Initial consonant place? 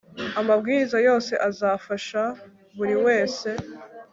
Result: labial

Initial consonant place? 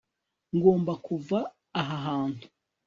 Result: velar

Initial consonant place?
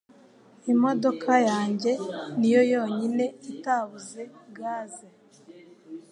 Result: labial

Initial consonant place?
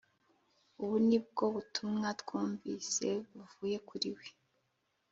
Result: labial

